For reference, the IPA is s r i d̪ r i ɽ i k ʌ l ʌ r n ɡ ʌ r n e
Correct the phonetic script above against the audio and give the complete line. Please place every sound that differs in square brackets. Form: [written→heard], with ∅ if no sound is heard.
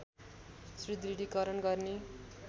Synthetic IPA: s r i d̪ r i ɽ i k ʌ [l→ɾ] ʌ [r→∅] n ɡ ʌ r n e